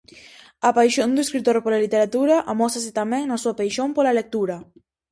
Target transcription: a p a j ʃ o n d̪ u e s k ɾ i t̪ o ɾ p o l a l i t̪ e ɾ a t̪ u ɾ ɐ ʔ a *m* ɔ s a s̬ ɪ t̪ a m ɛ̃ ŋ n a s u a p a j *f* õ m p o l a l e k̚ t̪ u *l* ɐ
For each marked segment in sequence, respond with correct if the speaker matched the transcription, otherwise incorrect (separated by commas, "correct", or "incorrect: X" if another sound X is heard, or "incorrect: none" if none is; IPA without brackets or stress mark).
correct, incorrect: ʃ, incorrect: ɾ